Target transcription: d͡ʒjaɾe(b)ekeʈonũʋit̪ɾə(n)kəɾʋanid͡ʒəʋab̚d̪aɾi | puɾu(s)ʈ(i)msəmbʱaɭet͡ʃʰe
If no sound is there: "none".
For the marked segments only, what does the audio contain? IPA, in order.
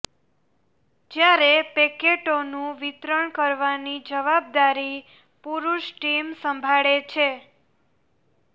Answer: p, ɳ, ʃ, i

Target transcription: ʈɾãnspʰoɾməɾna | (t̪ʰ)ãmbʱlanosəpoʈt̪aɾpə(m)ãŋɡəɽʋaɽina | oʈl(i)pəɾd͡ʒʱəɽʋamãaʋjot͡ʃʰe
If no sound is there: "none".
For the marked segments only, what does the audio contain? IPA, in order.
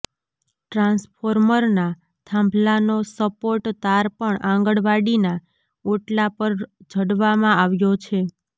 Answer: t̪ʰ, ɳ, a

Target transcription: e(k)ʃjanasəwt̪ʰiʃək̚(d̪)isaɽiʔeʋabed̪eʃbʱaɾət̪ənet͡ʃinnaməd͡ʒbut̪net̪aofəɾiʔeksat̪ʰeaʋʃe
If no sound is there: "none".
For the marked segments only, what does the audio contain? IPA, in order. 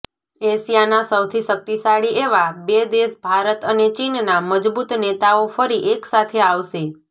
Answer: none, t̪

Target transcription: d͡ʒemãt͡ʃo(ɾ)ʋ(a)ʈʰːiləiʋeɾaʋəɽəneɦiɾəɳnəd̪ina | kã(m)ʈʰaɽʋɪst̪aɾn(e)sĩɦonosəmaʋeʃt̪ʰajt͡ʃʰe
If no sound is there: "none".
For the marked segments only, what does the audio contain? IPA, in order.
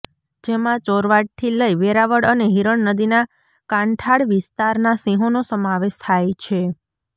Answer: ɾ, a, ɳ, a

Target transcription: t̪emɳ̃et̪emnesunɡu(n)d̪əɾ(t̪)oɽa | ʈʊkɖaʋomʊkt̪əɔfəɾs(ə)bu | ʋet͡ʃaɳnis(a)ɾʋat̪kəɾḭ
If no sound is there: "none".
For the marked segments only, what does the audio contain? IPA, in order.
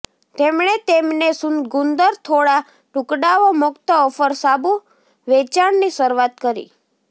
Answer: n, t̪ʰ, a, ə

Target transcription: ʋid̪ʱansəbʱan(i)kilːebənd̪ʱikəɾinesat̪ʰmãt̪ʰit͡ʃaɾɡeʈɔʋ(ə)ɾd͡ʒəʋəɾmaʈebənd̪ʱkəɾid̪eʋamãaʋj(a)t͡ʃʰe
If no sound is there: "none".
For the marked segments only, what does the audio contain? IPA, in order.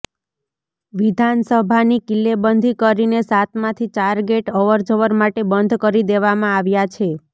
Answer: i, ə, a

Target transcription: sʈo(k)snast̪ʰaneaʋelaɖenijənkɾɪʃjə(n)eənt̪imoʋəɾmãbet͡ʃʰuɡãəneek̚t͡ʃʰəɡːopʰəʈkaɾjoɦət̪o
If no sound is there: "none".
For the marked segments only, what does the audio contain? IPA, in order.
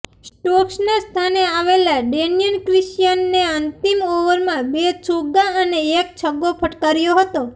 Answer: k, nː

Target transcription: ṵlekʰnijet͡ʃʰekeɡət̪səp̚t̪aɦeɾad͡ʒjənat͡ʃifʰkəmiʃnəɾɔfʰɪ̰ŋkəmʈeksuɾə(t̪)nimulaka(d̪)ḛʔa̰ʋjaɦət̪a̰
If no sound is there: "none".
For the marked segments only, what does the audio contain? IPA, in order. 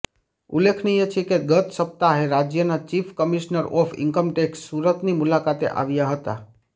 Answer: t̪, t̪

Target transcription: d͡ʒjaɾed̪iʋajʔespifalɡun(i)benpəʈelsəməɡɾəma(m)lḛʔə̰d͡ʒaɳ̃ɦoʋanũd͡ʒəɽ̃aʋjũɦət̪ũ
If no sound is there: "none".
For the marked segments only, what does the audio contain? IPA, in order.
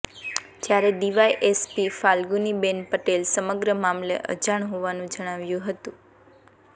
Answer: i, m

